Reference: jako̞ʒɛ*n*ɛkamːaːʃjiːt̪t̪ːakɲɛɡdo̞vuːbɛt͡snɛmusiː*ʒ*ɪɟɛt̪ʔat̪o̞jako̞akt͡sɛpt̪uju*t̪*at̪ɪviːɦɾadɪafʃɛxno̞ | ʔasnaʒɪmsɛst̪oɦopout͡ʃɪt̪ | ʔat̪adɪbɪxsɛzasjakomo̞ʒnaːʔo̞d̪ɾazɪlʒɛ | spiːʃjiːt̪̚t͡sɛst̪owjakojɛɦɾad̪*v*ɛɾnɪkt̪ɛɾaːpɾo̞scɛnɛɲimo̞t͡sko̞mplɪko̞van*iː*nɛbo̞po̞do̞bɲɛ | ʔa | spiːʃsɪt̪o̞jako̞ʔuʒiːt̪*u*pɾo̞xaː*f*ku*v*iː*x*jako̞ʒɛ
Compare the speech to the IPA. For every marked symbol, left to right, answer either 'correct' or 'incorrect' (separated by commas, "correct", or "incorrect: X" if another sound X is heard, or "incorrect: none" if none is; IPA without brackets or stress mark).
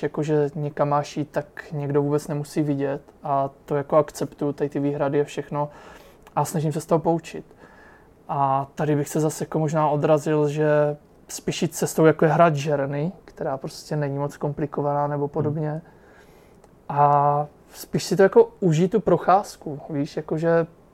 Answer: incorrect: ɲ, incorrect: v, correct, incorrect: ʒ, incorrect: aː, correct, incorrect: s, correct, incorrect: ʃ